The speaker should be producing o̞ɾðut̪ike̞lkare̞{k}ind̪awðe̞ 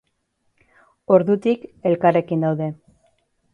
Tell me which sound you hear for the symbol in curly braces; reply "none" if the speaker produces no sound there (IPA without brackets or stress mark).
k